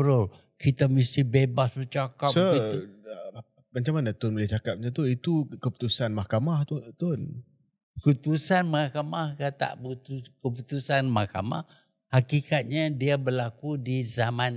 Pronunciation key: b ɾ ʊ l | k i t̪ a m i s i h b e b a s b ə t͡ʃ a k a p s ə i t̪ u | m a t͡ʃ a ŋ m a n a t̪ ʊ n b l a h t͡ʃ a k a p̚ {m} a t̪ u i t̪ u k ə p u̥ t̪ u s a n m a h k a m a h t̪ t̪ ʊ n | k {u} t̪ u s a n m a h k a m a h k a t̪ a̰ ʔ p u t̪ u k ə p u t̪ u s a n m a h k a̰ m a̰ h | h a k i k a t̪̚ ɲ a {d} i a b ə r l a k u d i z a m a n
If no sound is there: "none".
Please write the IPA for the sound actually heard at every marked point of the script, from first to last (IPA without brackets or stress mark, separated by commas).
ɲ, u, d